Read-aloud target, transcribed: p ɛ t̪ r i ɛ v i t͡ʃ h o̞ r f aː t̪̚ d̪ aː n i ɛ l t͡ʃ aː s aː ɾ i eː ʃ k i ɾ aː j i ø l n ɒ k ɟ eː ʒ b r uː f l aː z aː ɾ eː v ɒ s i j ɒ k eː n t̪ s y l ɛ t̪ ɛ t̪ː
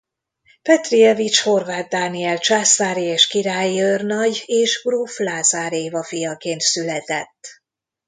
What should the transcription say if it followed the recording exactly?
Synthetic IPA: p ɛ t̪ r i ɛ v i t͡ʃ h o̞ r v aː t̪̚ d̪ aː n i ɛ l t͡ʃ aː s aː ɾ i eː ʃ k i ɾ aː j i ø r n ɒ ɟ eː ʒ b r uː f l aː z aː ɾ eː v ɒ f i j ɒ k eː n t̪ s y l ɛ t̪ ɛ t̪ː